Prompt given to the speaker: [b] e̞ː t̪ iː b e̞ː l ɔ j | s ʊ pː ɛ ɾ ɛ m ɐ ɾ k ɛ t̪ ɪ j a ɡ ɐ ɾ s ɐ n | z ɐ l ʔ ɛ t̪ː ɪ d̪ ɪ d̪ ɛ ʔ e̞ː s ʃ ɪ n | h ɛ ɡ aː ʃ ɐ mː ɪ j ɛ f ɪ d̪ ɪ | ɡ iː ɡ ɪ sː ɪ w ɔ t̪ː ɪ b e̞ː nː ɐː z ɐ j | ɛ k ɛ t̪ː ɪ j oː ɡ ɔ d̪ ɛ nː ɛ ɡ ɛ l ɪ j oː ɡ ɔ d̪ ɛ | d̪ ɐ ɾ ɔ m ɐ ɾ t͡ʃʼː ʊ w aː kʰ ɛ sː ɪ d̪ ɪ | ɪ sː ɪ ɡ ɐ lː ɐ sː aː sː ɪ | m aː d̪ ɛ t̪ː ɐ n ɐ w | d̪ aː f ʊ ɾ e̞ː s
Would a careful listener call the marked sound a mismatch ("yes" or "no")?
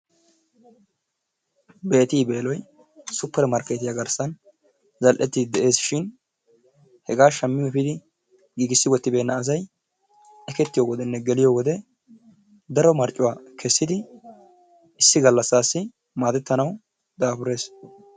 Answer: no